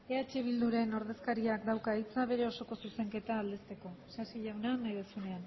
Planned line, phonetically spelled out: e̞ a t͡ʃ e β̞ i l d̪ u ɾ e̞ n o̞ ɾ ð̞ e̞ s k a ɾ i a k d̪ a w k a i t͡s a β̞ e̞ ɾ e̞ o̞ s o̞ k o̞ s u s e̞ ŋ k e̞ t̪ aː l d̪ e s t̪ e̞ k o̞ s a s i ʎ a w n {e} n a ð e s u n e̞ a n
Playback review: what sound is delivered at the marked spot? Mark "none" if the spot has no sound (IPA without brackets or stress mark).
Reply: a